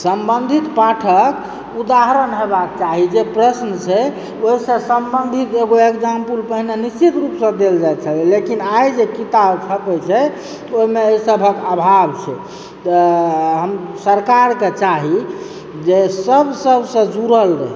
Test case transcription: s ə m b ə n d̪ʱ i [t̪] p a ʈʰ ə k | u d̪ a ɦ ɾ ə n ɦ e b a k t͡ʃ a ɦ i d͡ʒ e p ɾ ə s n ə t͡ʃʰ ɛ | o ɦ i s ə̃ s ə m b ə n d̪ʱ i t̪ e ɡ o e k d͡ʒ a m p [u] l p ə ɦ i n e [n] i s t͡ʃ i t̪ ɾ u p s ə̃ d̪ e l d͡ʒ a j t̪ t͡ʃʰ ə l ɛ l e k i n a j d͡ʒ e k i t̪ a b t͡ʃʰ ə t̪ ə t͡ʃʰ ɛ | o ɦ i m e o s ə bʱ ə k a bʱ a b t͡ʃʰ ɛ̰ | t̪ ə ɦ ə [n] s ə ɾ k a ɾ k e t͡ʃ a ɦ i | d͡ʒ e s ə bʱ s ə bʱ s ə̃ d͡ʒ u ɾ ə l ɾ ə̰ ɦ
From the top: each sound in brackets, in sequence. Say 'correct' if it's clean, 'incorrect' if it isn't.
correct, correct, correct, incorrect: m

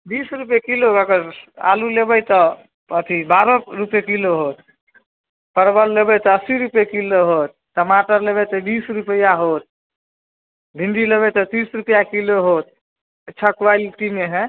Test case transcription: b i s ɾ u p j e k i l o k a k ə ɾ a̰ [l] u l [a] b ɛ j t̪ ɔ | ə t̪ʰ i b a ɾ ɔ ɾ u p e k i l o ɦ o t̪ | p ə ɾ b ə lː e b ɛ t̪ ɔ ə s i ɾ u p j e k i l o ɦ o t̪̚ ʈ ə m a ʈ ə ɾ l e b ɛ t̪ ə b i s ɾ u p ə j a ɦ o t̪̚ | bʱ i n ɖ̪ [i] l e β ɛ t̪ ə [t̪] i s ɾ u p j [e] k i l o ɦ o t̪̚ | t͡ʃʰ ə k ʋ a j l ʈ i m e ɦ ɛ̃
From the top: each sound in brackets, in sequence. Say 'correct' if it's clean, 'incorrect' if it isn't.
correct, incorrect: e, correct, correct, incorrect: a

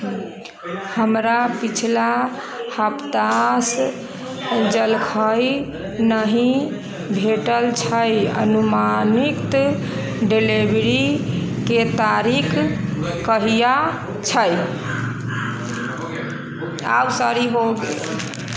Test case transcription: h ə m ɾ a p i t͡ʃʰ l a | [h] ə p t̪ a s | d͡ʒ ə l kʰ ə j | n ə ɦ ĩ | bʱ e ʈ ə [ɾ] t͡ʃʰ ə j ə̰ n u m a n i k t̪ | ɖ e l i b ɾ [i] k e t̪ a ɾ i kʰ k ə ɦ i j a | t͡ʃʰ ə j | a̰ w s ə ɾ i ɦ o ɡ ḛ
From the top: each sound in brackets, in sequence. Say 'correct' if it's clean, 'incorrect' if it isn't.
correct, incorrect: l, correct

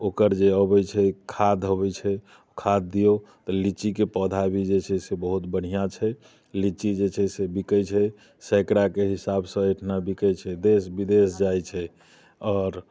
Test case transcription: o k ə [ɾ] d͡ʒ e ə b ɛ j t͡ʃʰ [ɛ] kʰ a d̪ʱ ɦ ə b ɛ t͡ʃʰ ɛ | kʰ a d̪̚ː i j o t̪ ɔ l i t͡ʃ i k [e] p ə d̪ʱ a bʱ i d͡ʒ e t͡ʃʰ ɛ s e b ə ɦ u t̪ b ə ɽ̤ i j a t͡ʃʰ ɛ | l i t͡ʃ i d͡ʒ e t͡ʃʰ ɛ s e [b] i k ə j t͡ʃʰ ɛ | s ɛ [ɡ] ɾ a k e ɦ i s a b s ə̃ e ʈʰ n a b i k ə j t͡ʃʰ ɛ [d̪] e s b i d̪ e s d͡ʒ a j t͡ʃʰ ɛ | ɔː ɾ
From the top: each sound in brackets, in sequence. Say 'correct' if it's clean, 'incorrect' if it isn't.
correct, correct, correct, correct, incorrect: k, correct

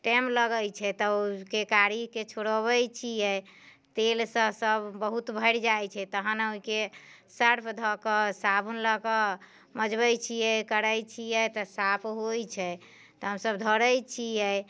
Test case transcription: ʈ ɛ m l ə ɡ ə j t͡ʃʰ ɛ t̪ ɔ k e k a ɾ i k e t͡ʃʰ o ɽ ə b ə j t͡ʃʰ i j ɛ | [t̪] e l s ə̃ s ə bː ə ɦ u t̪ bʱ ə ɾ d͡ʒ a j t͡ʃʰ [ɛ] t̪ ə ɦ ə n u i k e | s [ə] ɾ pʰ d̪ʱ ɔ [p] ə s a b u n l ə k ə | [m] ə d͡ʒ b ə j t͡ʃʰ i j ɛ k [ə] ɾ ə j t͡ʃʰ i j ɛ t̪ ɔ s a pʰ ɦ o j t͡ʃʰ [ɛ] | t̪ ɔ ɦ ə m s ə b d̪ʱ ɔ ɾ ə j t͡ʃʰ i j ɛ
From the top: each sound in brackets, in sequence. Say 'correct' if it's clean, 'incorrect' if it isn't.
correct, correct, correct, incorrect: k, correct, correct, correct

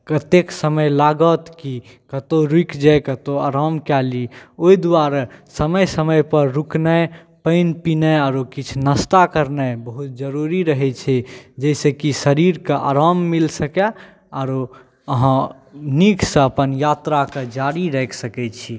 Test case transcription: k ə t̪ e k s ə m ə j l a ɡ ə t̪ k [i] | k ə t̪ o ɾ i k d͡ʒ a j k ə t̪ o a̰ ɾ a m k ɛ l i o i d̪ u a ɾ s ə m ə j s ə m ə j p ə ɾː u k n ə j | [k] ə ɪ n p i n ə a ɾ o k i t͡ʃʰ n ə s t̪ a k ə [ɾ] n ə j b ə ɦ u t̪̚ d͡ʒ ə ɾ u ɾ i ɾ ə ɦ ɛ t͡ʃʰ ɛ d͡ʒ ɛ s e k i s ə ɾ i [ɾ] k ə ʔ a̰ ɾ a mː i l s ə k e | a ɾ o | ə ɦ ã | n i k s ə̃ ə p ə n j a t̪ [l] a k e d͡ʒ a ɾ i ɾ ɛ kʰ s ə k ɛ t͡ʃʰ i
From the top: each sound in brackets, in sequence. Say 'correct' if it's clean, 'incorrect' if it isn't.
correct, incorrect: p, correct, correct, incorrect: ɾ

